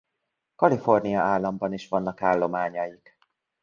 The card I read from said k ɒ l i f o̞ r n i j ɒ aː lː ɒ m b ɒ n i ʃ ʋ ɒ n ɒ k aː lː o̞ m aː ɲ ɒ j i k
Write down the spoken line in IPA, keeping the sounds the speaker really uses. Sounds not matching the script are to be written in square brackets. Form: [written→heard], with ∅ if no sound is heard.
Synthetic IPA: k ɒ l i f o̞ r n i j ɒ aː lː ɒ m b ɒ n i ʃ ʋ ɒ [n→nː] ɒ k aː lː o̞ m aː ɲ ɒ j i k